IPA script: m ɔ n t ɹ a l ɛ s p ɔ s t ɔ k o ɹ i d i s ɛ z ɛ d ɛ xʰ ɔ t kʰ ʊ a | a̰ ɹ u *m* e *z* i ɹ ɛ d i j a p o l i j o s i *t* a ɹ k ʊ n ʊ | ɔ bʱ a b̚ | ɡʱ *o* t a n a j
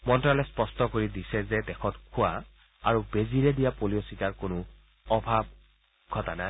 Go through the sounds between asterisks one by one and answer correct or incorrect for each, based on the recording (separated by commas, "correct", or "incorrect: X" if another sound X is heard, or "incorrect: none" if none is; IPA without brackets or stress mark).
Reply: incorrect: b, correct, correct, incorrect: ɔ